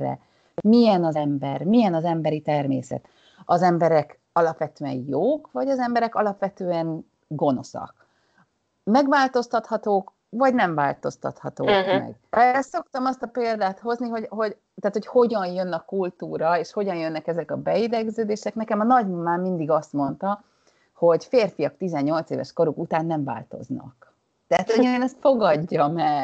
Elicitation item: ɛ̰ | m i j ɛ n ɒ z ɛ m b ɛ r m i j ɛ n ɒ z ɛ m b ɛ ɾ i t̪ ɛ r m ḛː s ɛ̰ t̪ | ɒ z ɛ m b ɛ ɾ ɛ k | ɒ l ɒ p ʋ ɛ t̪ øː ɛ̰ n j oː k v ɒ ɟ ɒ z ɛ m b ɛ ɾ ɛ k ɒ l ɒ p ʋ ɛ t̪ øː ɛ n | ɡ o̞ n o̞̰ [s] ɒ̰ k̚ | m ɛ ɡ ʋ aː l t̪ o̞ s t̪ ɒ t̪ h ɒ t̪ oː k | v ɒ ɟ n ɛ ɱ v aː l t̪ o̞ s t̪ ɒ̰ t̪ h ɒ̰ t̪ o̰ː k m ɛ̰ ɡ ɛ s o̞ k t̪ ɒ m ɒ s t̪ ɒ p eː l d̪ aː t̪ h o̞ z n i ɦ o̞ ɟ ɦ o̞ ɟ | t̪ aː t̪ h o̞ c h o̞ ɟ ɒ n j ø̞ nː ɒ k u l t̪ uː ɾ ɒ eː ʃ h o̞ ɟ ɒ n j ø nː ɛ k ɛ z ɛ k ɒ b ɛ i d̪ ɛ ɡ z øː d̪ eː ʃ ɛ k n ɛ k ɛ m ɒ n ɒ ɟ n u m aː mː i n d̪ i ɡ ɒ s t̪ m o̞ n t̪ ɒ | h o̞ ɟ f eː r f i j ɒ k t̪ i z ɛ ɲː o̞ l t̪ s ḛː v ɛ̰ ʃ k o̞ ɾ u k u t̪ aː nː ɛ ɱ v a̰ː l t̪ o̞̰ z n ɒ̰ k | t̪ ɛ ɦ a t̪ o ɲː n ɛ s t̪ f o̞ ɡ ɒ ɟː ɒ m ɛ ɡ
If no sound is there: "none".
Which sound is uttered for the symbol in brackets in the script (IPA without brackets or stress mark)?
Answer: s